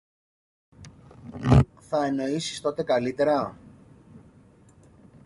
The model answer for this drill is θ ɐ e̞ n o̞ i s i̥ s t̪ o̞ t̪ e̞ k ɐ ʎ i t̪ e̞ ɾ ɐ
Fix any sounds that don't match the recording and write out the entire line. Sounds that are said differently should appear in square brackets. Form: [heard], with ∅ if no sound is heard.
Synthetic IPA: θ ɐ e̞ n o̞ i s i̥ s t̪ o̞ t̪ e̞ k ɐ [l] i t̪ e̞ ɾ ɐ